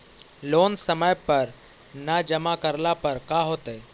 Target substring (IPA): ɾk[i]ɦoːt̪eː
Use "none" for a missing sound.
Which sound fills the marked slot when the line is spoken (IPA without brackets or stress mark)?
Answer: a